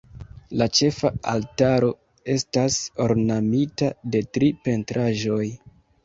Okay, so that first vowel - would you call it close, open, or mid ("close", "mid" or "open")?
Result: open